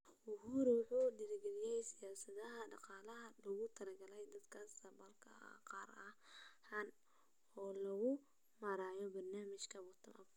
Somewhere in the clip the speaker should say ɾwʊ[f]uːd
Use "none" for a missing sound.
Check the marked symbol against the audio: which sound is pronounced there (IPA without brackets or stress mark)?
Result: ħ